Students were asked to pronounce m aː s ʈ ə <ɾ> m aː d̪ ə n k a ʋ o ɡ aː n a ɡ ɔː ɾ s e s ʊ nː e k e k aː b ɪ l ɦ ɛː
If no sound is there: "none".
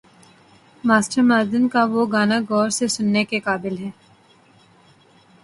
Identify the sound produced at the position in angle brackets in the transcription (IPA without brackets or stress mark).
ɾ